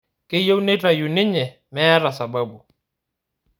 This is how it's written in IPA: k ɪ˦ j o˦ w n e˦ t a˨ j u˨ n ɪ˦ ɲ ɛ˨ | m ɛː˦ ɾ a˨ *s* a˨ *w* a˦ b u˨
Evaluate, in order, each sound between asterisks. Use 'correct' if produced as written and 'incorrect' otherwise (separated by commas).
correct, incorrect